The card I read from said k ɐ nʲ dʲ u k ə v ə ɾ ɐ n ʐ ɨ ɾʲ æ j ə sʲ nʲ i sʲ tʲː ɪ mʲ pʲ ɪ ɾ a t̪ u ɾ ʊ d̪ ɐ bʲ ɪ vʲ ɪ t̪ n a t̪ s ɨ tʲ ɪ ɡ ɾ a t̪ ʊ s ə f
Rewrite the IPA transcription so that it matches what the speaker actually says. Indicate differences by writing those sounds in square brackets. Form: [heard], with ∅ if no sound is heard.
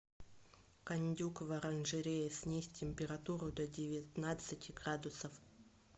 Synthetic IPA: k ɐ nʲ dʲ u k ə v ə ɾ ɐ n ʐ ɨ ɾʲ [e] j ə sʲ nʲ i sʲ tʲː ɪ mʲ pʲ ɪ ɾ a t̪ u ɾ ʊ d̪ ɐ [dʲ] ɪ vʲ ɪ t̪ n a t̪ s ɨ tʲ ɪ ɡ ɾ a [d̪] ʊ s ə f